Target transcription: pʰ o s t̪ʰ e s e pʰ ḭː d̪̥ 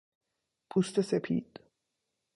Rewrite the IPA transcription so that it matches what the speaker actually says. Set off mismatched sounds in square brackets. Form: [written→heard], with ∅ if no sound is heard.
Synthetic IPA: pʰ [o→u] s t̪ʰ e s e pʰ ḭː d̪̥